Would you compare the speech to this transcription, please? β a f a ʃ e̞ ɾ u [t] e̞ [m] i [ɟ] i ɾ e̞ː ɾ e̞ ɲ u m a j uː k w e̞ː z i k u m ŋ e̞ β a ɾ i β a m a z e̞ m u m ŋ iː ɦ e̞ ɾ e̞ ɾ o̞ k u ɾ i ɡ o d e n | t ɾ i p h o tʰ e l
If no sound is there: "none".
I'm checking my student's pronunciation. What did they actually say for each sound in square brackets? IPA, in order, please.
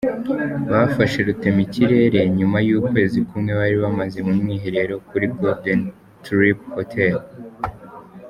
t, m, c

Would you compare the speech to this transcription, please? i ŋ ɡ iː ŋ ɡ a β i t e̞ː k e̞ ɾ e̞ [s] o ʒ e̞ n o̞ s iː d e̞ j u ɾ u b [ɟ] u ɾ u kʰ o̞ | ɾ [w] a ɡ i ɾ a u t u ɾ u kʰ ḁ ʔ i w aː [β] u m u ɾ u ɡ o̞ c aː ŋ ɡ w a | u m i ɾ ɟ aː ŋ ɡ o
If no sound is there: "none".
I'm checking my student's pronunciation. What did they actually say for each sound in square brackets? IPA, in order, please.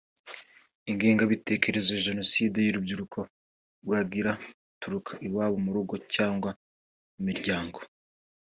z, ɟ, w, β

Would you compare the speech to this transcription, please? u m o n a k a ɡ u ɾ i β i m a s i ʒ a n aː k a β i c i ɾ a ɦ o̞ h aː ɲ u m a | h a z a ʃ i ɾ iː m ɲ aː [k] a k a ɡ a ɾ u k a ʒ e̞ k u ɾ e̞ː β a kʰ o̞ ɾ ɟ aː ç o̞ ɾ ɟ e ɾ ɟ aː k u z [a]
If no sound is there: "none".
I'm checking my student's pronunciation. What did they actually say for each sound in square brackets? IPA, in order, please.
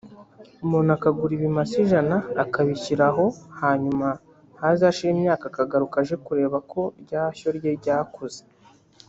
k, e

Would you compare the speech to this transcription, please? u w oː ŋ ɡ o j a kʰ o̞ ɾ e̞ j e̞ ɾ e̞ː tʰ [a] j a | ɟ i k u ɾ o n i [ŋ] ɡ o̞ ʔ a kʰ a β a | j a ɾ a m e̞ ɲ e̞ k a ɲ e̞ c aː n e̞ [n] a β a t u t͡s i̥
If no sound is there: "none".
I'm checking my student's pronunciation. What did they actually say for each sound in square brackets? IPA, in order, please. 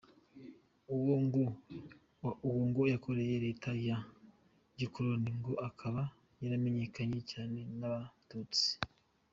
a, ŋ, n

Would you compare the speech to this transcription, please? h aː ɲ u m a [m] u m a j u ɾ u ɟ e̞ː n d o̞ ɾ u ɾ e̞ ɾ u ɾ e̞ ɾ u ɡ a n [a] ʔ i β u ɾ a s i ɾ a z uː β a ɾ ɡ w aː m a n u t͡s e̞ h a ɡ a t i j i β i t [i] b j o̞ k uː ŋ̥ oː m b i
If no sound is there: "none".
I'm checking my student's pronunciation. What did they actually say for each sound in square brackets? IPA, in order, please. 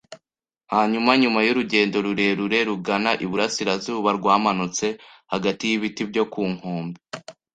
ɲ, a, i

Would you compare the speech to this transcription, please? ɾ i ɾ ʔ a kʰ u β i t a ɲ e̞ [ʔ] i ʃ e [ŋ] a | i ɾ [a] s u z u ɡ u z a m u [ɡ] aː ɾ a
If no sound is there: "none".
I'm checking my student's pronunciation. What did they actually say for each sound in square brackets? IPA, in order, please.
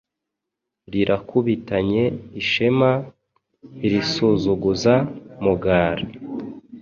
none, m, i, ɡ

